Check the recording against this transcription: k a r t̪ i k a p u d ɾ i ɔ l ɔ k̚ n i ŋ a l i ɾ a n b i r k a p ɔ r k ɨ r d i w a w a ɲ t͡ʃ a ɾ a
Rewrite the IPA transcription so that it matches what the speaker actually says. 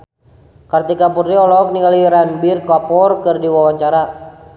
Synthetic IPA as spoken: k a r t̪ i k a p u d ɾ i ɔ l ɔ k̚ n i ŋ a l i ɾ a n b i r k a p ɔ r k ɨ r d i w a w a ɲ t͡ʃ a ɾ a